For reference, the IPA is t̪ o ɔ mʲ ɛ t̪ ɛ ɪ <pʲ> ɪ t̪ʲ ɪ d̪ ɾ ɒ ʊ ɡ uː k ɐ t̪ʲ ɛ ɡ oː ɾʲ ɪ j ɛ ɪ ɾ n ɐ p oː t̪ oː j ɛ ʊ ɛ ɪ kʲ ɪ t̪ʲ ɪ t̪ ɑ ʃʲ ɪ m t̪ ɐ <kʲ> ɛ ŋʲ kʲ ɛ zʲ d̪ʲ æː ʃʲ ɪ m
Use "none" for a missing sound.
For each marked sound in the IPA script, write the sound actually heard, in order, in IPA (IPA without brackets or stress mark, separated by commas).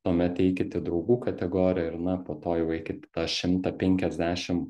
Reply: kʲ, pʲ